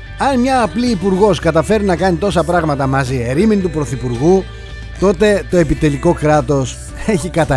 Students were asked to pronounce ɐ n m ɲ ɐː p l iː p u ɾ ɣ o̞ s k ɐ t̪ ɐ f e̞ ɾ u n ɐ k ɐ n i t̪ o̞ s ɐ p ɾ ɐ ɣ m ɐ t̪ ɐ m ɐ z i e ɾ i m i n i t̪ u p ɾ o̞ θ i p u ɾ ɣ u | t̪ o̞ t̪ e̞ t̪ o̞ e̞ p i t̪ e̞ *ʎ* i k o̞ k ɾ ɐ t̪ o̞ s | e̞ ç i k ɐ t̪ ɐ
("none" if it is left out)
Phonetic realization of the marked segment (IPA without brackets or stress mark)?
l